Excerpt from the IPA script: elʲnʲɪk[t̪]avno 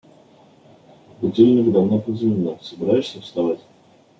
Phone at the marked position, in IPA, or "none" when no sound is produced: d̪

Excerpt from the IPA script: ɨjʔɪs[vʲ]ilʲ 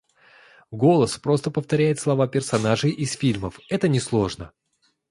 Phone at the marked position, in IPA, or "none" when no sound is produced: fʲ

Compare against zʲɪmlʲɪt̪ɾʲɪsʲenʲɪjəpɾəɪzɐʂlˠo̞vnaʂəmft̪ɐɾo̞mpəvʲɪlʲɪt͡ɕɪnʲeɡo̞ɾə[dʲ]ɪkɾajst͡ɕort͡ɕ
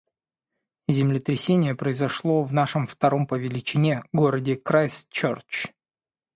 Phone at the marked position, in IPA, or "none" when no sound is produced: dʲ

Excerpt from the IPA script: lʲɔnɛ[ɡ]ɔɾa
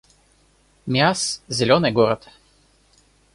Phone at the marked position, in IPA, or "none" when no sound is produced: ɡ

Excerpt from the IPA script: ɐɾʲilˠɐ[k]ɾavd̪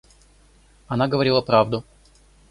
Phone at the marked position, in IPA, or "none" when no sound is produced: p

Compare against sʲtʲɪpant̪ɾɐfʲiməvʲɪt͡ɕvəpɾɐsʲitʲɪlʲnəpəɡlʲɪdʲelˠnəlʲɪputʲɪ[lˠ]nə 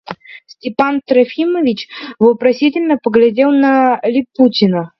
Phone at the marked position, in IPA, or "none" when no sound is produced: none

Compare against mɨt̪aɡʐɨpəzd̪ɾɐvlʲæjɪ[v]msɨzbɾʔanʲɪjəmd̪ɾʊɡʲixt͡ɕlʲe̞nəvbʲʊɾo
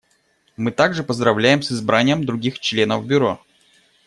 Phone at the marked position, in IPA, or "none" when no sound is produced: none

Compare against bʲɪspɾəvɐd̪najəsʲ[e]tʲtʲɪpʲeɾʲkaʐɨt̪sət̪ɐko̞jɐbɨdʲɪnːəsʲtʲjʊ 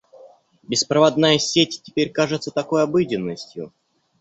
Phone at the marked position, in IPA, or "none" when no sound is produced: e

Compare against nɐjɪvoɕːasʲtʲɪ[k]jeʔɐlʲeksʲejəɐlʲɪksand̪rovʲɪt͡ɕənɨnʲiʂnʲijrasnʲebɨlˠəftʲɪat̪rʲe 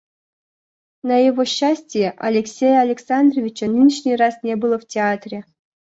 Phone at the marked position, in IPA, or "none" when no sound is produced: none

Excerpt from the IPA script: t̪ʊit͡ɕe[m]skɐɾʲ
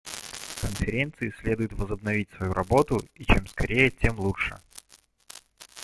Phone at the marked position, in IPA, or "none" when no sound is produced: m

